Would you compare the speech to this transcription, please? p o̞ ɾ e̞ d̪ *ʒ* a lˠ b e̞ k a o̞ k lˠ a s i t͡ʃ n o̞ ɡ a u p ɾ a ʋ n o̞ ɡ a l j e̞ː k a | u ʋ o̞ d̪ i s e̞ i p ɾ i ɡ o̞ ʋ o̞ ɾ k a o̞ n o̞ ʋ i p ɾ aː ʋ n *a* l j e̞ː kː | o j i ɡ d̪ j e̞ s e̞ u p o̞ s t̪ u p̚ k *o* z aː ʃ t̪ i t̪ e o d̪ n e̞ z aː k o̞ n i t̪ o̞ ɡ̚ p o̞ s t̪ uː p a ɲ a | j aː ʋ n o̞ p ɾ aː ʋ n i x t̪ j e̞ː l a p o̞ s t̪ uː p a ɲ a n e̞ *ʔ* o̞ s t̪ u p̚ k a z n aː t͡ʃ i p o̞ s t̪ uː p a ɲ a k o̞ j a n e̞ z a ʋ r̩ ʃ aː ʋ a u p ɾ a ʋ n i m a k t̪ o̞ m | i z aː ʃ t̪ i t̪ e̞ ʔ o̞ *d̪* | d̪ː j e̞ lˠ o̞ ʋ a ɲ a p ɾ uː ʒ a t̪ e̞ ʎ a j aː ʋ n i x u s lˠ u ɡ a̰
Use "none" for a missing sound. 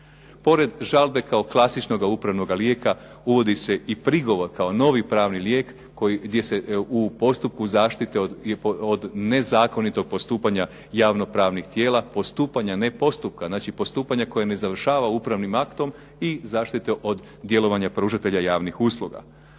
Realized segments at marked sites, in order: ʒ, i, u, p, d̪

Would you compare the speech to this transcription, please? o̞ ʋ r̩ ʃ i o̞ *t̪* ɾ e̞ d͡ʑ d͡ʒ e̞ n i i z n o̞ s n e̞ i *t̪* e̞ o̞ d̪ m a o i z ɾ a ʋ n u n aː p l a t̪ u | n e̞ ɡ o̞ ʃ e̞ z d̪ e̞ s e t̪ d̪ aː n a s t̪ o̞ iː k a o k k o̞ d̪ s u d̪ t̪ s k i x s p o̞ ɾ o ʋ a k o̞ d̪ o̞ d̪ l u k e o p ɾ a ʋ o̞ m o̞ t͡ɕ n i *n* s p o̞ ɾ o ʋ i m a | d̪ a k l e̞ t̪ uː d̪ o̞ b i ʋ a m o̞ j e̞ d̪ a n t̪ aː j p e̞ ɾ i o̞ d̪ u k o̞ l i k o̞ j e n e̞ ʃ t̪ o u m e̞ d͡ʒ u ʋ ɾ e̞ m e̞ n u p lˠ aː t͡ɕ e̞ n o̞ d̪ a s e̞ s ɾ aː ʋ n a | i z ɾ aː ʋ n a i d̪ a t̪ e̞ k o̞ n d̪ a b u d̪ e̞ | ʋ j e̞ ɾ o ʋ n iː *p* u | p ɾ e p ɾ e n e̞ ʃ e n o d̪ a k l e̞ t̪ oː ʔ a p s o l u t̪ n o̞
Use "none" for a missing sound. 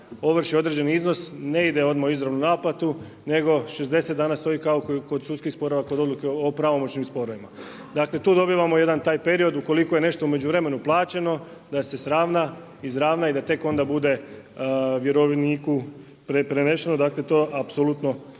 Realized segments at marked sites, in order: d̪, d̪, m, k

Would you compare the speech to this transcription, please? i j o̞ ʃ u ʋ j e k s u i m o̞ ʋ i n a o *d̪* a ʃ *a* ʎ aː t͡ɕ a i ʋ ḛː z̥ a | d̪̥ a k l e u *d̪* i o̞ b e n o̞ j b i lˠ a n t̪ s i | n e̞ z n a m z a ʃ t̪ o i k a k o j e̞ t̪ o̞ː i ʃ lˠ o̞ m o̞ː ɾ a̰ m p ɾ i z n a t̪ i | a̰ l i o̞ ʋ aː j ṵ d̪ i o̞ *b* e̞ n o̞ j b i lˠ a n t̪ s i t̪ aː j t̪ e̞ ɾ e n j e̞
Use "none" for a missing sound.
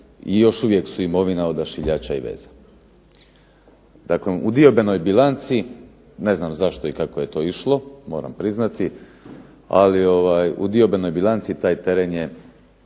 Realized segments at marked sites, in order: d̪, i, d̪, b

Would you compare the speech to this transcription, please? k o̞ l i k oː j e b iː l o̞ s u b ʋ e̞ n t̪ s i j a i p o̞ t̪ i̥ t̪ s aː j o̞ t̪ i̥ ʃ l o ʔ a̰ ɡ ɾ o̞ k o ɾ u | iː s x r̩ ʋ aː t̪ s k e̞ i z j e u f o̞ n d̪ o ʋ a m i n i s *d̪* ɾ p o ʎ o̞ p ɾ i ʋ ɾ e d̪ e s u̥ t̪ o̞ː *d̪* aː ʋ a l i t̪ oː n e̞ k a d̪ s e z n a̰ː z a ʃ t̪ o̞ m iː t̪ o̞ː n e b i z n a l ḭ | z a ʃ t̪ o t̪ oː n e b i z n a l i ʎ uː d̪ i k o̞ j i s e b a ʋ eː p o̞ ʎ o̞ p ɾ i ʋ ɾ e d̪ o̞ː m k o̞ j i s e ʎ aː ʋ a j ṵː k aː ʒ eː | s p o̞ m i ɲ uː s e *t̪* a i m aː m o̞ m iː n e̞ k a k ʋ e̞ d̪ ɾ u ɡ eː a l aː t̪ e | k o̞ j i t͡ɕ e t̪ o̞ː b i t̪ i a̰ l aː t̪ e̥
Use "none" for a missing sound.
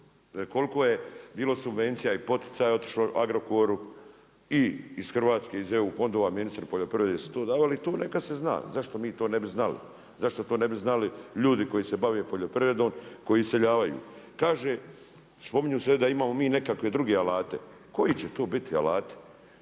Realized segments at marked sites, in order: t̪, d̪, d̪

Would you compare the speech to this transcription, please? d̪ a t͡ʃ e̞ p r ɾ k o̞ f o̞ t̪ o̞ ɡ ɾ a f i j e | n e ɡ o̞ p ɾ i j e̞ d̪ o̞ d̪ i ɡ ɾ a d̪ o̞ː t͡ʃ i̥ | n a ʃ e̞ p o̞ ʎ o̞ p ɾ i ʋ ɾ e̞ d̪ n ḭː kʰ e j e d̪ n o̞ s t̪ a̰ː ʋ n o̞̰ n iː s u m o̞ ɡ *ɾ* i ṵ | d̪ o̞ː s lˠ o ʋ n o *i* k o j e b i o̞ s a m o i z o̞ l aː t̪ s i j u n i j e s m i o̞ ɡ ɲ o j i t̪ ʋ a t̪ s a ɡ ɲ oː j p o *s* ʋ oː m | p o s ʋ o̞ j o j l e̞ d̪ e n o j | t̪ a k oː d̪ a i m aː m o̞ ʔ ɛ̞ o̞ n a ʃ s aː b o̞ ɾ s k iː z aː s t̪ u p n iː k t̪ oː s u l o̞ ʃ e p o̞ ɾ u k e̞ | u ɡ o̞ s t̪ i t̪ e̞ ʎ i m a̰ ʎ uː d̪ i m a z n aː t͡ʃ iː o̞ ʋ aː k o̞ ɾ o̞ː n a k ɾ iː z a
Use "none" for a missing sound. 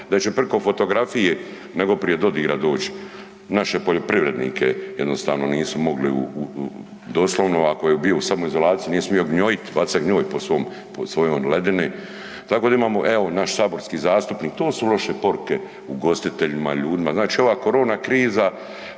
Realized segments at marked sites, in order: l, a, s

